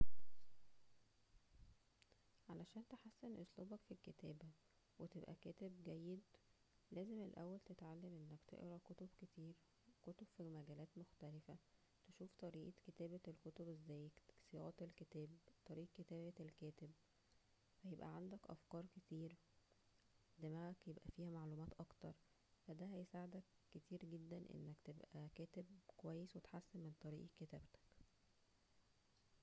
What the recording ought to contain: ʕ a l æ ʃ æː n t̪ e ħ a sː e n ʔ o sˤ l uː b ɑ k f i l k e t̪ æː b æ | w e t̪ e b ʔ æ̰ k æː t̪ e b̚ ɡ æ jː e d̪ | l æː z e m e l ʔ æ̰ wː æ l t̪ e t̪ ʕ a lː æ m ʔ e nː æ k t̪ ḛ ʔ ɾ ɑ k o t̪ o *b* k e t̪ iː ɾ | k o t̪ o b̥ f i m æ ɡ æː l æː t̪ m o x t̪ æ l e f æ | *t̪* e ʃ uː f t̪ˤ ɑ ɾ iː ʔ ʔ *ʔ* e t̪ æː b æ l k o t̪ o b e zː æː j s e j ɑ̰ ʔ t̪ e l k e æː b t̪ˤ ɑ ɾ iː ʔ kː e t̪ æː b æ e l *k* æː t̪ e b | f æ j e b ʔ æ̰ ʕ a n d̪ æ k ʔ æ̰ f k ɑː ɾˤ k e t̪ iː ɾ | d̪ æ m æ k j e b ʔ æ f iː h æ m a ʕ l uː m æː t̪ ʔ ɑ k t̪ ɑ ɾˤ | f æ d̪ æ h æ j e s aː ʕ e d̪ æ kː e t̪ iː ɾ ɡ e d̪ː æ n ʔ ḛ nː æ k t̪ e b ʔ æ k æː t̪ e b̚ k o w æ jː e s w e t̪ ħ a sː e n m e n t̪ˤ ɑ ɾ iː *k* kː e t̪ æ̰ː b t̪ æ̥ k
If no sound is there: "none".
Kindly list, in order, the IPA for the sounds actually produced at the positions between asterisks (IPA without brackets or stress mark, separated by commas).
b, t̪, k, k, ʔ